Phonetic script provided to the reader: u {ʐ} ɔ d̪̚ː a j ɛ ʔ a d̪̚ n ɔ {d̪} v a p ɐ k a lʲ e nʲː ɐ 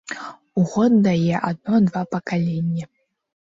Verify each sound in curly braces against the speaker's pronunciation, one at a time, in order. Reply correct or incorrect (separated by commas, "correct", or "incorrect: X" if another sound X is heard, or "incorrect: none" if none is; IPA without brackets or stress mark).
incorrect: ɣ, correct